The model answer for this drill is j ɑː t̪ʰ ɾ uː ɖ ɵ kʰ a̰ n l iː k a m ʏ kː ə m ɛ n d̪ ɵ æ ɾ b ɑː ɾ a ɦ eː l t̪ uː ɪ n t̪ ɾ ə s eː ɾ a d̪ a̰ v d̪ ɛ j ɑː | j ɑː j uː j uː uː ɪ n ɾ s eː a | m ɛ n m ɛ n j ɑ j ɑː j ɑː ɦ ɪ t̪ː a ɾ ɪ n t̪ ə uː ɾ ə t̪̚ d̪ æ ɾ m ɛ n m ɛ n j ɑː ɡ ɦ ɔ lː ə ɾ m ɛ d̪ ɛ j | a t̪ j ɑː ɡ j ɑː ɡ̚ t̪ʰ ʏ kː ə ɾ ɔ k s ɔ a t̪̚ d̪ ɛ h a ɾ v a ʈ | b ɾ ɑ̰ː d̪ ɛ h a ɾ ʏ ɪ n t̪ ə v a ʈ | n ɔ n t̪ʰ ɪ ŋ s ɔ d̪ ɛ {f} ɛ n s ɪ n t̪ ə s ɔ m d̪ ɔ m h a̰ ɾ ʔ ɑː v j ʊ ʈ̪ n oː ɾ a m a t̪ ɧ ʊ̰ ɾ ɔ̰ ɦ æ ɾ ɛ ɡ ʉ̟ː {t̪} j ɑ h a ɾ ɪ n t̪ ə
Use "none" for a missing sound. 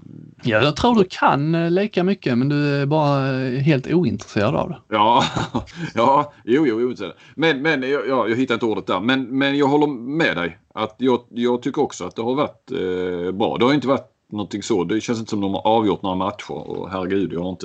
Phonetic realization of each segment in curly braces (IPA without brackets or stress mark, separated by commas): ɕ, d̪